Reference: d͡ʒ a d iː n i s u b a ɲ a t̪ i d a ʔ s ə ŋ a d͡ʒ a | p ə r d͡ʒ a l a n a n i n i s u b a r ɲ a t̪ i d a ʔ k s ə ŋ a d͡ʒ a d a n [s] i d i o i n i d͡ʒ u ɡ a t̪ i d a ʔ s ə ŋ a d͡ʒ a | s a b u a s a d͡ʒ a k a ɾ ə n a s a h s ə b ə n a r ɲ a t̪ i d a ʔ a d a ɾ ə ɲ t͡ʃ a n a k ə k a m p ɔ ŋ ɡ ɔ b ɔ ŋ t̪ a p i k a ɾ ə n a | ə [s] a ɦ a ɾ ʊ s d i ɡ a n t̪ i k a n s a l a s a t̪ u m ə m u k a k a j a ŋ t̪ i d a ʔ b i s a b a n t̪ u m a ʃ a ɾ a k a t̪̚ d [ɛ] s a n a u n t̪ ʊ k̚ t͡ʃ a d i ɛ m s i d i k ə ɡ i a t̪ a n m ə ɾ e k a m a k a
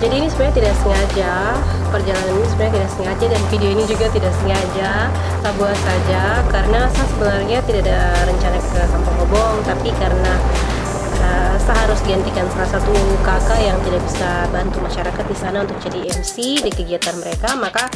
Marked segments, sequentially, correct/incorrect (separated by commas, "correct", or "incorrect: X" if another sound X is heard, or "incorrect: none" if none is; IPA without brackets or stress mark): incorrect: f, correct, incorrect: i